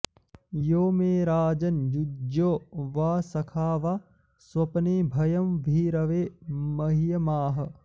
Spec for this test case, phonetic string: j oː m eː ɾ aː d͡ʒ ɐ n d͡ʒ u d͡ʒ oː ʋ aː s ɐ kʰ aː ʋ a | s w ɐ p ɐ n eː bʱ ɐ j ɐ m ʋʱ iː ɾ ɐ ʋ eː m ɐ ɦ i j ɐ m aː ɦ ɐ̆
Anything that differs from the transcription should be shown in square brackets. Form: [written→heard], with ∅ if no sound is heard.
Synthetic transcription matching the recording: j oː m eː ɾ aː d͡ʒ ɐ n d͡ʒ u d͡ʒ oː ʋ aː s ɐ kʰ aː ʋ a | s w ɐ p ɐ n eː bʱ ɐ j ɐ m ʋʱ iː ɾ ɐ ʋ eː m ɐ ɦ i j ɐ m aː ɦ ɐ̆